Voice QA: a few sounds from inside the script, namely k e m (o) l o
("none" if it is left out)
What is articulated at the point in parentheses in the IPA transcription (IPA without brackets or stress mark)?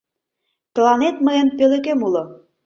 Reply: u